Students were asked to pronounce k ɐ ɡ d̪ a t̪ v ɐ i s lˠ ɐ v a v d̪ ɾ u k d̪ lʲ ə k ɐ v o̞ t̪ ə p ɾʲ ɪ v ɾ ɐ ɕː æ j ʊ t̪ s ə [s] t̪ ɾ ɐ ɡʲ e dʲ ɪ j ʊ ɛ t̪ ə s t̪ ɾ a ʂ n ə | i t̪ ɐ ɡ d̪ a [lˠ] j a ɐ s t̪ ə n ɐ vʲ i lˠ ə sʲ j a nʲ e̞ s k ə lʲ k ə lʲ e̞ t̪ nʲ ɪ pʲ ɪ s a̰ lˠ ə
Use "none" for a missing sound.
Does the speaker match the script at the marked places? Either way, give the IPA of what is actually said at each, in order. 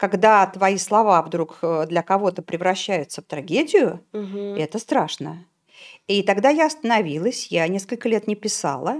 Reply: f, none

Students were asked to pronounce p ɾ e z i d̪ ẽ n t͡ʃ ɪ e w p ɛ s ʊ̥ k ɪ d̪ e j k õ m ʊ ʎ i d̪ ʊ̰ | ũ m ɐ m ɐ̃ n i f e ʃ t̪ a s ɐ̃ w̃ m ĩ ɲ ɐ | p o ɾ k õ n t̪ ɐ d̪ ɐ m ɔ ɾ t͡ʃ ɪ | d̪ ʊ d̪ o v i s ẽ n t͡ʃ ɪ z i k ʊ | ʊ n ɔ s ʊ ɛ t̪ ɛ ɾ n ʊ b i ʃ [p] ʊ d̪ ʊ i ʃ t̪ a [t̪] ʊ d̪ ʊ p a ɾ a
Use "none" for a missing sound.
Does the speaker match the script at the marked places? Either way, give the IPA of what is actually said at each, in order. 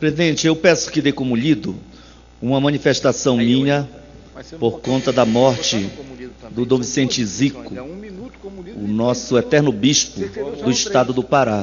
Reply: p, d̪

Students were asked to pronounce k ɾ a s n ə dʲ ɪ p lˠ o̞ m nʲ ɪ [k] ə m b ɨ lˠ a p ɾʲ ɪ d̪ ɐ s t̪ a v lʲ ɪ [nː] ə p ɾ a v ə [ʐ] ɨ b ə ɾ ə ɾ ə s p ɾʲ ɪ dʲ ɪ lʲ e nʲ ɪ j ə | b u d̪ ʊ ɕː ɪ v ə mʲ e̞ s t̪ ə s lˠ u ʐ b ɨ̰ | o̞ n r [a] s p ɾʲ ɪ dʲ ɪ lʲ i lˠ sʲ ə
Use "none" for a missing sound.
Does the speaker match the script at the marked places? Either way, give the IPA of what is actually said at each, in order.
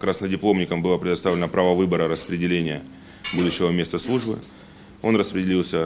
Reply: k, n, v, ə

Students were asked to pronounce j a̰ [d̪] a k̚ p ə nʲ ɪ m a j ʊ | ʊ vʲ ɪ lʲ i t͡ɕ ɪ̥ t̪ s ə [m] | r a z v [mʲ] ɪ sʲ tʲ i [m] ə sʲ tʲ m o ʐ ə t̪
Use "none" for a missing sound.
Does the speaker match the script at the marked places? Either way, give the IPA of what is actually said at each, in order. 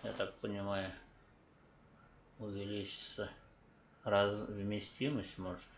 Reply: t̪, none, mʲ, m

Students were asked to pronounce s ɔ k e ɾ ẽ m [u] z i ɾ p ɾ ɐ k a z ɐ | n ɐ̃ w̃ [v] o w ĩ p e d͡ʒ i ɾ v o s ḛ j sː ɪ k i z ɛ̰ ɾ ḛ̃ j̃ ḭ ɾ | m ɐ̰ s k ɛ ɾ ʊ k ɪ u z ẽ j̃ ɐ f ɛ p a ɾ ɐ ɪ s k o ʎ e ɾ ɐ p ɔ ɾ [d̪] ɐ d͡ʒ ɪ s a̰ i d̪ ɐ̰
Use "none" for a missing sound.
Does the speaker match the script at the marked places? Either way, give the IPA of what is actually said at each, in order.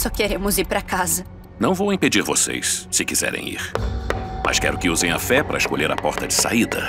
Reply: ʊ, v, t̪

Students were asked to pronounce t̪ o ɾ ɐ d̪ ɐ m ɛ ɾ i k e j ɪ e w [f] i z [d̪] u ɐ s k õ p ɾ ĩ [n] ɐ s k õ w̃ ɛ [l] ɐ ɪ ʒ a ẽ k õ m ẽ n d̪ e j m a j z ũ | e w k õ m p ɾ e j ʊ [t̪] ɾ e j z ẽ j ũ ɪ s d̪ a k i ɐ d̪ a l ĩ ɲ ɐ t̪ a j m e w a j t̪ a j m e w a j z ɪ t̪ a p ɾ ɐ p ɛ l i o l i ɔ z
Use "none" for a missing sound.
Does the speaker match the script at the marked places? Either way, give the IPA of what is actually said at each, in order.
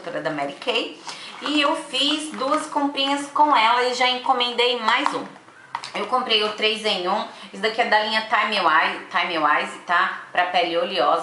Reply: f, d̪, ɲ, l, t̪

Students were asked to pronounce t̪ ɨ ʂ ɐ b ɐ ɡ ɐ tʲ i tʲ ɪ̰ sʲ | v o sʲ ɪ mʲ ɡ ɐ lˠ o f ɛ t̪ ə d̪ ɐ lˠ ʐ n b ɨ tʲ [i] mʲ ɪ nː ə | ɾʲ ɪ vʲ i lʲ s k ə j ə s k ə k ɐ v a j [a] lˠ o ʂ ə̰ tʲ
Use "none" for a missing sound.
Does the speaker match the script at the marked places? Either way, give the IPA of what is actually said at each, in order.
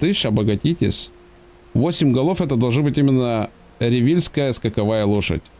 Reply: i, ə

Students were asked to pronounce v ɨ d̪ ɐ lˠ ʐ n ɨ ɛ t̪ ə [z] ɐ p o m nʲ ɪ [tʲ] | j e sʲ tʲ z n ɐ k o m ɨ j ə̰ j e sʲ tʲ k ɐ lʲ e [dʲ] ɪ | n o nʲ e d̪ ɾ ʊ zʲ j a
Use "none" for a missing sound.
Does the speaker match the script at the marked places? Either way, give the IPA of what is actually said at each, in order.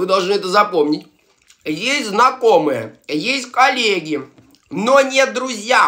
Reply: z, tʲ, ɡʲ

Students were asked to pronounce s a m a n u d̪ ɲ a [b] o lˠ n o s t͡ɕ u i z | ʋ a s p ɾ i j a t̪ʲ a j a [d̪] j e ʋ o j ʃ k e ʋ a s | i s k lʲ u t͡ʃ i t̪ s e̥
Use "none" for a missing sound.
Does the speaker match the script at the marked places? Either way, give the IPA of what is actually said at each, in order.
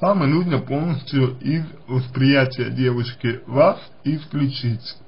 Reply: p, d̪

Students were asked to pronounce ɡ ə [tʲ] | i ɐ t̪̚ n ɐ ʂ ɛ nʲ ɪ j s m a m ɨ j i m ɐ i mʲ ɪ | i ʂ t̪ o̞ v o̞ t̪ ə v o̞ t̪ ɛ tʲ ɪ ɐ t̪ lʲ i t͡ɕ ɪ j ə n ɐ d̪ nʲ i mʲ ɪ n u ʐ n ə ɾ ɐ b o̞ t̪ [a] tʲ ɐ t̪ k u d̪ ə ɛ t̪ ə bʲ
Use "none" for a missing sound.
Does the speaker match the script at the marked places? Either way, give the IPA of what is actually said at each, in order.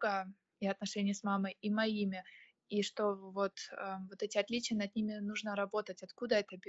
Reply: none, ə

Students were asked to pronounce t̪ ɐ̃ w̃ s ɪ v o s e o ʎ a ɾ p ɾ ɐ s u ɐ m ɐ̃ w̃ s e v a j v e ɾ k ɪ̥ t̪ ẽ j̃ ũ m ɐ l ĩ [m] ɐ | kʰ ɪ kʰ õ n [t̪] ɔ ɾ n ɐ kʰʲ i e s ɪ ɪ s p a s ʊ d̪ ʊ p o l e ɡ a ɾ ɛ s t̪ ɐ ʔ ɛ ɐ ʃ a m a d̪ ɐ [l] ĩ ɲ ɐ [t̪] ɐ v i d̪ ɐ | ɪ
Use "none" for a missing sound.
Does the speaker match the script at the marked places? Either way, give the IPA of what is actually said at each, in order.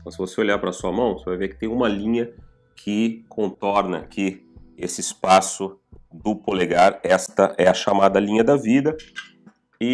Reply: ɲ, t̪, l, d̪

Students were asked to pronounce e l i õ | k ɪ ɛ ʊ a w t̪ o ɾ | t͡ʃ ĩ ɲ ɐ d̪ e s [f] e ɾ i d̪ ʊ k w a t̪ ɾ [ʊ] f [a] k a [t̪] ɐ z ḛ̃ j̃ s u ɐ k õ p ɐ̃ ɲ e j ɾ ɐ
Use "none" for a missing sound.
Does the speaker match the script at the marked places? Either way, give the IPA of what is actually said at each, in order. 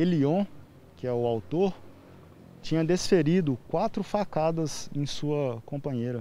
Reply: f, ʊ, a, d̪

